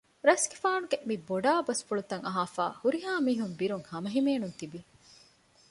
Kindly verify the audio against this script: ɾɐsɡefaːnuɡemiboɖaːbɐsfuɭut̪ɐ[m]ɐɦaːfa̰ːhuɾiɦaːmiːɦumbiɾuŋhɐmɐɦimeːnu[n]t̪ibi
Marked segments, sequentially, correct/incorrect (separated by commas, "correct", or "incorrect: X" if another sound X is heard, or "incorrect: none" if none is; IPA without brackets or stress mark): incorrect: ŋ, correct